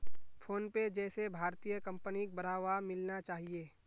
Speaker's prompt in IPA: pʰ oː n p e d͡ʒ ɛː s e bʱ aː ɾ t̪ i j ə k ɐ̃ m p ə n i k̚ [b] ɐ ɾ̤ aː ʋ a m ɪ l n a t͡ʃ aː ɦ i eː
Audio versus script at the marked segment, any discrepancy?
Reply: no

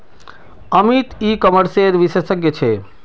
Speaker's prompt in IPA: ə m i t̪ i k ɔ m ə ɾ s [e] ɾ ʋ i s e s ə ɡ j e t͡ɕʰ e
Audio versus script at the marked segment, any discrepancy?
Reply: no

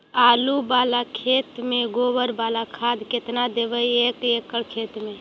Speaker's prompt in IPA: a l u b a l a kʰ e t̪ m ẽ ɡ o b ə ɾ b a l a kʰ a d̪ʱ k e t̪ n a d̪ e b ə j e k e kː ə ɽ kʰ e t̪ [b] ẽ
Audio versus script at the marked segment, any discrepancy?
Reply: yes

